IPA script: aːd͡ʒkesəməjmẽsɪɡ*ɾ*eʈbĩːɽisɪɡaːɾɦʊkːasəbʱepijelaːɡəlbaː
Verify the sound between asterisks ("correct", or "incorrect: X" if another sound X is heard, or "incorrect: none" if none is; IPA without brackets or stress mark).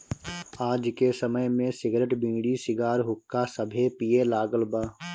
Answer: correct